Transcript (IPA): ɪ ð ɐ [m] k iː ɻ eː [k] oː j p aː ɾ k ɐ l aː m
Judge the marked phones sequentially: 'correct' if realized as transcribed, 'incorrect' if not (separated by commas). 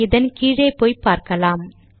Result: incorrect, incorrect